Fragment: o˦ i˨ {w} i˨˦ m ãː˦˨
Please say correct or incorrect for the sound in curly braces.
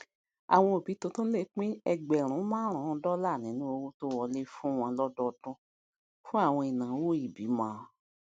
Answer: incorrect